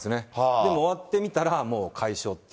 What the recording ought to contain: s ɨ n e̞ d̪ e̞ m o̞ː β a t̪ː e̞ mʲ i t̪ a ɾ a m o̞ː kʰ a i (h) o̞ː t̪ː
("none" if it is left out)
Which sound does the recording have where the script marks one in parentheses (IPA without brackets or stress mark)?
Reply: ɕ